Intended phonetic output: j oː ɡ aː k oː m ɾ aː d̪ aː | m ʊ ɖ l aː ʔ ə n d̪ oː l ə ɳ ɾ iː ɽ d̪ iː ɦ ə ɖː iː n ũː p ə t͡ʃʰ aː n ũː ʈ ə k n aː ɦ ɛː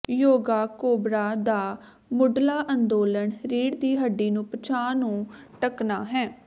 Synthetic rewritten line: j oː ɡ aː k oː b ɾ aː d̪ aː | m ʊ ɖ l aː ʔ ə n d̪ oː l ə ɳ ɾ iː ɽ d̪ iː ɦ ə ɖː iː n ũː p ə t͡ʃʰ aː n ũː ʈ ə k n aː ɦ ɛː